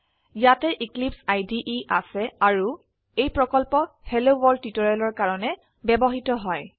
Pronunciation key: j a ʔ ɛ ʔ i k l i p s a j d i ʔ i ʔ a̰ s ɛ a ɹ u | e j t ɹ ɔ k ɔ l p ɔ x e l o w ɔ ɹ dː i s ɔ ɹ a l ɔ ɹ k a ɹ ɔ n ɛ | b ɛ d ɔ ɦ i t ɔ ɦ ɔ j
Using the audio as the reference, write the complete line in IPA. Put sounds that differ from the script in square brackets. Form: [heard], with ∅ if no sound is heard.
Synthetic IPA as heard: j a [t] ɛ ʔ i k l i p s a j d i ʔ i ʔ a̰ s ɛ a ɹ u | e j [p] ɹ ɔ k ɔ l p ɔ [h] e l o w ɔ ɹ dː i [t] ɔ ɹ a l ɔ ɹ k a ɹ ɔ n ɛ | b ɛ [b] ɔ ɦ i t ɔ ɦ ɔ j